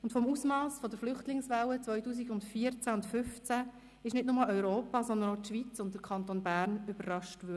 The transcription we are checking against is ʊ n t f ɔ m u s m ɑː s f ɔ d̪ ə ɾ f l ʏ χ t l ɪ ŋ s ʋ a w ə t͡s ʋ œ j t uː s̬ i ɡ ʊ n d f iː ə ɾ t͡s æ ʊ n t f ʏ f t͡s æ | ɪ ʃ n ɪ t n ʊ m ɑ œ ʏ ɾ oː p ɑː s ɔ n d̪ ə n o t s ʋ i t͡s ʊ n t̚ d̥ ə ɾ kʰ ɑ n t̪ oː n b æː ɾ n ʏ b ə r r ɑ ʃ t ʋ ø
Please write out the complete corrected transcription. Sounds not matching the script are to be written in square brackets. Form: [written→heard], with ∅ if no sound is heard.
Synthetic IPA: ʊ n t f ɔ m u s m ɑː s f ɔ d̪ ə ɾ f l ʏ χ t l ɪ ŋ s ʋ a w ə t͡s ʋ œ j t uː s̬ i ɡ ʊ n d f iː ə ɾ t͡s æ ʊ n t f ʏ f t͡s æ | ɪ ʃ n ɪ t n ʊ m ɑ œ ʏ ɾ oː p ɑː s ɔ n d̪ ə n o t [s→ʃ] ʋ i t͡s ʊ n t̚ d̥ ə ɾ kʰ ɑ n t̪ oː n b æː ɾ n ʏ b ə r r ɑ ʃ t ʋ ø